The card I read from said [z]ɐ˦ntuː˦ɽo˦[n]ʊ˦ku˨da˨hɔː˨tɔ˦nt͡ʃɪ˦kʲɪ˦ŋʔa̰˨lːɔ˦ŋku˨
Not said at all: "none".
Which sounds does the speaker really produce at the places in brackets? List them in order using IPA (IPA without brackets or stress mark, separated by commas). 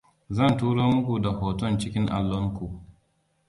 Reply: z, m